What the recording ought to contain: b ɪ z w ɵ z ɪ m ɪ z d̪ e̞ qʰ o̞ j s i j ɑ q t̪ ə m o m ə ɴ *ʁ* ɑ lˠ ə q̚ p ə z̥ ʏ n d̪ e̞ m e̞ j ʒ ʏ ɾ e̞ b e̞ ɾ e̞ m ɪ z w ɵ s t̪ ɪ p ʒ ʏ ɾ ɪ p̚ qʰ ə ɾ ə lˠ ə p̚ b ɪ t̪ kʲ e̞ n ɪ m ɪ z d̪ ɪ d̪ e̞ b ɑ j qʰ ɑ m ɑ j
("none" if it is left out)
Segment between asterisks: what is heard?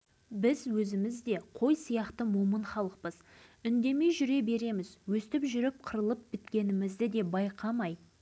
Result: χ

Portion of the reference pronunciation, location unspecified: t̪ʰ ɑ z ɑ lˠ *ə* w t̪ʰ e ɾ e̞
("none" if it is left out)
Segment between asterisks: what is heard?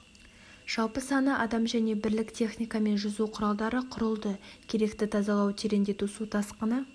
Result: ɑ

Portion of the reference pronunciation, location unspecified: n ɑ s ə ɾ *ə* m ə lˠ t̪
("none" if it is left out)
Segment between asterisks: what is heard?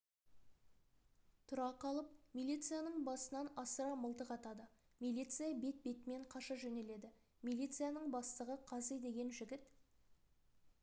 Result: ɑ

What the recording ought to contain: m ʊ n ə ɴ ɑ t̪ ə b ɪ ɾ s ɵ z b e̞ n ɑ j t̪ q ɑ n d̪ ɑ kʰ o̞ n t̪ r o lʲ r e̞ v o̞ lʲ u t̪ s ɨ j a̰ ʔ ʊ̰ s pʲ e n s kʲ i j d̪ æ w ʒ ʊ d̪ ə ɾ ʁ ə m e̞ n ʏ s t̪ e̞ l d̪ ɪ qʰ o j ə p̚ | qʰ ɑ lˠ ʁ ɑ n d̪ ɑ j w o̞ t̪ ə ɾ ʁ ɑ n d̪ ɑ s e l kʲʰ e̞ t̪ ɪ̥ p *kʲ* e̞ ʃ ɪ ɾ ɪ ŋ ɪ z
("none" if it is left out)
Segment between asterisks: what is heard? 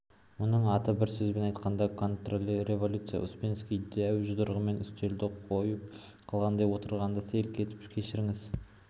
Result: kʲʰ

